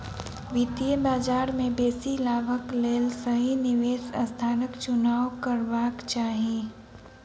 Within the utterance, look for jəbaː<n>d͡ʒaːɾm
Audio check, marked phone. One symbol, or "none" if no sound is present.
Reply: none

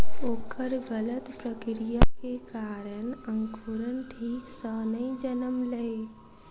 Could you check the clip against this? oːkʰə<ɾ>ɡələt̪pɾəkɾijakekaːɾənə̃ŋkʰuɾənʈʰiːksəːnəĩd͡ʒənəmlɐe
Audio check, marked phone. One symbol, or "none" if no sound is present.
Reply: ɾ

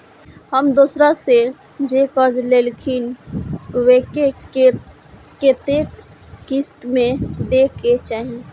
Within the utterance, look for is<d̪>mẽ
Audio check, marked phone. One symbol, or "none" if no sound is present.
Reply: t̪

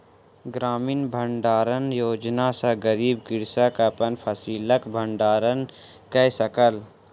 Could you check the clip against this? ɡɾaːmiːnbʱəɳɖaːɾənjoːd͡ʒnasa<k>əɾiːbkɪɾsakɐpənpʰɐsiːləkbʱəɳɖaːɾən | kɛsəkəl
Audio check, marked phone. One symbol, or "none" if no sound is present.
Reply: ɡ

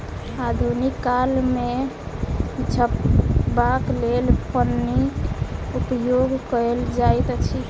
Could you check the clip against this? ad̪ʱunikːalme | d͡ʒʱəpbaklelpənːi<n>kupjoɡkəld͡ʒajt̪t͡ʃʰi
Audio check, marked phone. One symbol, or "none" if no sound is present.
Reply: none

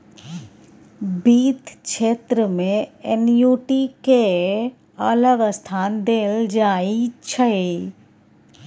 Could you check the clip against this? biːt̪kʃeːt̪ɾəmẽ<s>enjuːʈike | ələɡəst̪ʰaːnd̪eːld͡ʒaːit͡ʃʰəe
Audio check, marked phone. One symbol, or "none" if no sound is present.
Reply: none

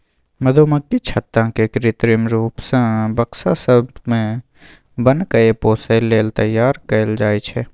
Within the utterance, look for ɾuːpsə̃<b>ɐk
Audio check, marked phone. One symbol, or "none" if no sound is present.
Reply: b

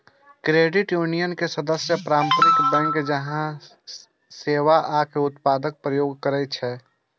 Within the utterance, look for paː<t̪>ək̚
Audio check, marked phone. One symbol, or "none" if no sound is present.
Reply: d̪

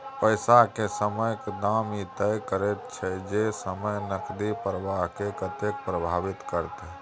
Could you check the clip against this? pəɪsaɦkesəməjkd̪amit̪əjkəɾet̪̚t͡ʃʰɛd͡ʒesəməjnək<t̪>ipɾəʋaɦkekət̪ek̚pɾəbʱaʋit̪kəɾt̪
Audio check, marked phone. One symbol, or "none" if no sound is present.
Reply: d̪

